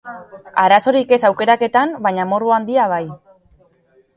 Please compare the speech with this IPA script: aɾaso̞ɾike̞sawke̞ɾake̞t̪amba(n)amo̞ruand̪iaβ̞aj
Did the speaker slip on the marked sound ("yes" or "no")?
yes